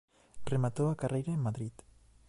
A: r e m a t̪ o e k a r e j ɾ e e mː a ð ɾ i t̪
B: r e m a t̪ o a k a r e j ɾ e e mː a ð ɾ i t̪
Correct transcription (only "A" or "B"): B